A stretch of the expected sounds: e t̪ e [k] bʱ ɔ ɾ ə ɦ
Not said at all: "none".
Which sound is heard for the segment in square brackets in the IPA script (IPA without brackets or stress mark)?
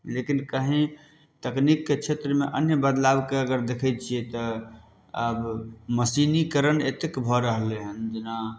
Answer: k